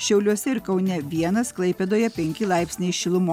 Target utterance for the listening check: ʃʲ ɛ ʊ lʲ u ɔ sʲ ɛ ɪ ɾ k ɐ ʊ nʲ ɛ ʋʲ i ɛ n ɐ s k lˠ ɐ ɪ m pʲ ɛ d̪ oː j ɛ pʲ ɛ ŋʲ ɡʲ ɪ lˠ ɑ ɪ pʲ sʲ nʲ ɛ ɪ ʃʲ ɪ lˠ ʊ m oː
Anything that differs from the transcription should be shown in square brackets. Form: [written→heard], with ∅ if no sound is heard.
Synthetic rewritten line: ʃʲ ɛ ʊ lʲ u ɔ sʲ ɛ ɪ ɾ k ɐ ʊ nʲ ɛ ʋʲ i ɛ n ɐ s k lˠ ɐ ɪ [m→∅] pʲ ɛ d̪ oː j ɛ pʲ ɛ ŋʲ [ɡʲ→kʲ] ɪ lˠ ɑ ɪ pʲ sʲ nʲ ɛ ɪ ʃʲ ɪ lˠ ʊ m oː